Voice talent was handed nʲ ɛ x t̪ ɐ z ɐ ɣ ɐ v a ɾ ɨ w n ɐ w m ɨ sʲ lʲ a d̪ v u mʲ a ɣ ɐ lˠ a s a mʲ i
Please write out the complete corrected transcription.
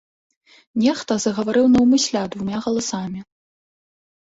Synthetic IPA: nʲ ɛ x t̪ ɐ z ɐ ɣ ɐ v a ɾ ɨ w n ɐ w m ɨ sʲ lʲ a d̪ v u mʲ a ɣ ɐ lˠ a s a mʲ i